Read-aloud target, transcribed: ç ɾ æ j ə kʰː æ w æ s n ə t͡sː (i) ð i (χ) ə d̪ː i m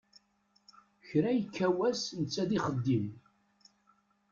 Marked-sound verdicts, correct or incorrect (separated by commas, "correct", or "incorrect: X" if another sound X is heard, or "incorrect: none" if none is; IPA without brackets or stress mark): incorrect: æ, correct